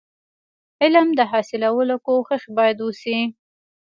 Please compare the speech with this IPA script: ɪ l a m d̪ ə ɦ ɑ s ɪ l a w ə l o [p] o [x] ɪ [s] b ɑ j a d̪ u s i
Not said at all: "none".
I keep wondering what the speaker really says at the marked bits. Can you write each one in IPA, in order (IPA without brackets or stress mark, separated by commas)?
k, x, x